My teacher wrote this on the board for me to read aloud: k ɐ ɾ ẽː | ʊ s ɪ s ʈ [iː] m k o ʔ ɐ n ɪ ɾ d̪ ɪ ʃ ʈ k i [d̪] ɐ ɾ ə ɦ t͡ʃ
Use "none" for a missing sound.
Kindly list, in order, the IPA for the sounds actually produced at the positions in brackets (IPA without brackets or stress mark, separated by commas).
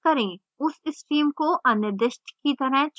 iː, t̪